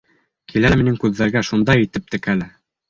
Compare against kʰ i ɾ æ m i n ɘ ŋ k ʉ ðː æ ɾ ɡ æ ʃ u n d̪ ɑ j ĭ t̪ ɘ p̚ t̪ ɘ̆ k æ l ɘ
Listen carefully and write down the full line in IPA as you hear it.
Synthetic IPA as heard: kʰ i l æ m i n ɘ ŋ k ʉ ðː æ ɾ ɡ æ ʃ u n d̪ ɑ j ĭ t̪ ɘ p̚ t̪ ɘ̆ k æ l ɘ